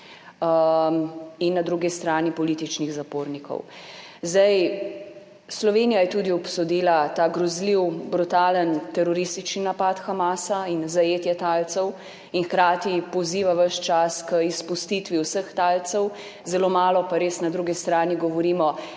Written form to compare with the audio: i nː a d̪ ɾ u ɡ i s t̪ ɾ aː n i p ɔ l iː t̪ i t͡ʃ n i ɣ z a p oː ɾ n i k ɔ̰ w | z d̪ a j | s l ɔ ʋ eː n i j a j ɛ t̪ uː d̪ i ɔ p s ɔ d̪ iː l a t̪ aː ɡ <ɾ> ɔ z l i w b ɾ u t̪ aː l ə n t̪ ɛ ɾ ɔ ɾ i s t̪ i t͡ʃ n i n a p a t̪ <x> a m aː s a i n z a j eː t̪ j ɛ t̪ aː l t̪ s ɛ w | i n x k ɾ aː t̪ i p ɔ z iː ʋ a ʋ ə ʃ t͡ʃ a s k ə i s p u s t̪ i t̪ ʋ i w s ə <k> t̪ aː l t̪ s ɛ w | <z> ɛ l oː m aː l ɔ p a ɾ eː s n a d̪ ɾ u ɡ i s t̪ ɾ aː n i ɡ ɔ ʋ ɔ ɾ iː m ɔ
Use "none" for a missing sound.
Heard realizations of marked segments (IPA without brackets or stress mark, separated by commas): ɾ, x, x, z